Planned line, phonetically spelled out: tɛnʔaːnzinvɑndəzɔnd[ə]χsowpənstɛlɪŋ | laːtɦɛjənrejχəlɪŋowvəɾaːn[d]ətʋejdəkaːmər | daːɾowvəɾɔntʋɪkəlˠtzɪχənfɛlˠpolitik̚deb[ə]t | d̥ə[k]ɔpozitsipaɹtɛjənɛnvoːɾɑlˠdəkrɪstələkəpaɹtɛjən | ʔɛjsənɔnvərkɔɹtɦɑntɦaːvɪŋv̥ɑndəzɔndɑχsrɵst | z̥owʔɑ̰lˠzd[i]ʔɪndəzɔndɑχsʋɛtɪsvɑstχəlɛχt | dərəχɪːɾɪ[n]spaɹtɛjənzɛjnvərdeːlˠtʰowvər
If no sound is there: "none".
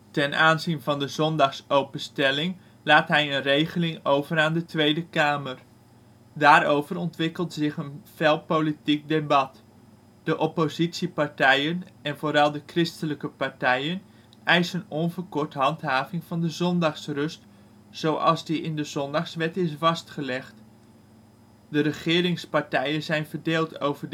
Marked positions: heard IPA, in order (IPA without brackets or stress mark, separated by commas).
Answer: ɑ, d, ɑ, ʔ, i, ŋ